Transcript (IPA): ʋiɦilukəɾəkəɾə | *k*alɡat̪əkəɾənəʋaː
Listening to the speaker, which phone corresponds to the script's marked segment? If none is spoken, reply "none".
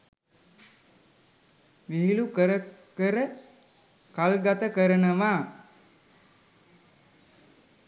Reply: k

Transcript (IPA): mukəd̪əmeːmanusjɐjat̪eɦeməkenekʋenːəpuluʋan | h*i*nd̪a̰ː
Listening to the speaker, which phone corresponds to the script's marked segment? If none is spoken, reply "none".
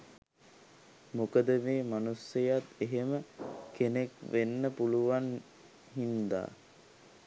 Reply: i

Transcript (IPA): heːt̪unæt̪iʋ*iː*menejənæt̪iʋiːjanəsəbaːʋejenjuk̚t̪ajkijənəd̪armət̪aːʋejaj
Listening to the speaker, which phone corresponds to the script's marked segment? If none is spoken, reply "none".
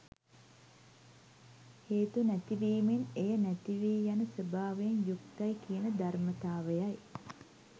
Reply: iː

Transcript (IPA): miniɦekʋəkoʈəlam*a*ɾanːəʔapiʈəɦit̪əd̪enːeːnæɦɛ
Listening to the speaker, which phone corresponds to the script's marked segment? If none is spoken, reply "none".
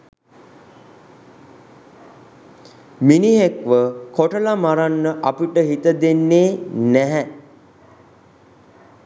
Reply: a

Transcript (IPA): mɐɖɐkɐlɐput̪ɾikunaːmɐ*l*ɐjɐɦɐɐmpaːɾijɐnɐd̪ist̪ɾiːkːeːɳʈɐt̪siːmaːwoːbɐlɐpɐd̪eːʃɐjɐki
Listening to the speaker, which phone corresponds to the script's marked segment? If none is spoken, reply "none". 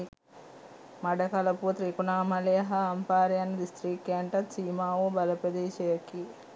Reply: l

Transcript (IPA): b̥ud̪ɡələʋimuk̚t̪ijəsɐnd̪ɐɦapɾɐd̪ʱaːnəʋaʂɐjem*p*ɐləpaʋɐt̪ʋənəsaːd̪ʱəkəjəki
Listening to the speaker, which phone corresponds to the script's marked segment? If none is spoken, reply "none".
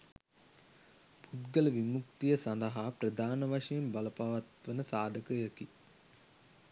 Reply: b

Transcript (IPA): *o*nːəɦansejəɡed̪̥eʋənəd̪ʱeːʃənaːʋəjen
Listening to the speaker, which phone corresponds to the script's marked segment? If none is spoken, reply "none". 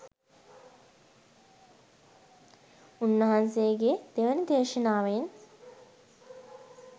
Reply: u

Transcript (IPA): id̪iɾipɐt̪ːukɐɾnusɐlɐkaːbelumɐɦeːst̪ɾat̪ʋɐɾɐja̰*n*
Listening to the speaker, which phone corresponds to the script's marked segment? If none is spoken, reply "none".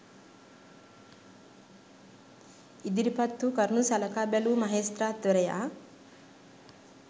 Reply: none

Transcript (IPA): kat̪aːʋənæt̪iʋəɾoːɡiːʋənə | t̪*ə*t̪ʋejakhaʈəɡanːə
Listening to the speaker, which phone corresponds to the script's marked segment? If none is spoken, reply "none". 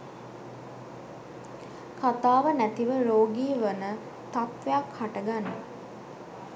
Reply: a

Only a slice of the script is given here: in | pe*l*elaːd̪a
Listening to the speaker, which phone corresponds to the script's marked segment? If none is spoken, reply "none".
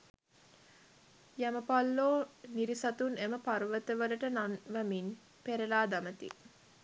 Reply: ɾ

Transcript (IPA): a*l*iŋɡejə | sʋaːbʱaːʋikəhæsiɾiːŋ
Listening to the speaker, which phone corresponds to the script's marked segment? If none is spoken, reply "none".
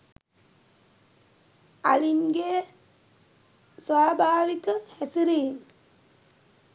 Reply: l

